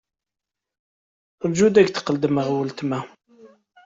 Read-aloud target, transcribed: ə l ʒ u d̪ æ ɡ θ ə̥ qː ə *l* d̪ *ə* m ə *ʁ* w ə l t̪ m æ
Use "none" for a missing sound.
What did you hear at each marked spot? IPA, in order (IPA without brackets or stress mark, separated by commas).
l, ə, ʁ